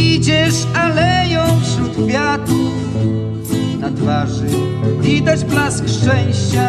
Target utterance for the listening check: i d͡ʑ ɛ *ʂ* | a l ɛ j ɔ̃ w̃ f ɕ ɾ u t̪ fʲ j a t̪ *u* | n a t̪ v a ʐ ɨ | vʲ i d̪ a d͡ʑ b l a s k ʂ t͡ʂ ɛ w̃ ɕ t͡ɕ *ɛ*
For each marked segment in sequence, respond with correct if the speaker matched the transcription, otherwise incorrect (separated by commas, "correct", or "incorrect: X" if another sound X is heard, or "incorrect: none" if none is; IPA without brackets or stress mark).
correct, correct, incorrect: a